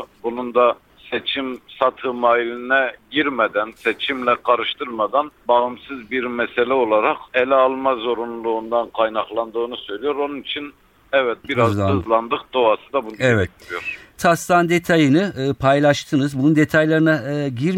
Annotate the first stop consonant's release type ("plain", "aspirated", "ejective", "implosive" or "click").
plain